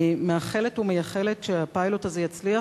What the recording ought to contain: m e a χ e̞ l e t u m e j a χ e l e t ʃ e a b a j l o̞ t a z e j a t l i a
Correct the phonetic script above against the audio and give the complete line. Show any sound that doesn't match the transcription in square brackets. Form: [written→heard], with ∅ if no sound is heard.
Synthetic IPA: m e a χ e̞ l e t u m e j a χ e l e t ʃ e a [b→p] a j l o̞ t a z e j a [t→t͡s] l i a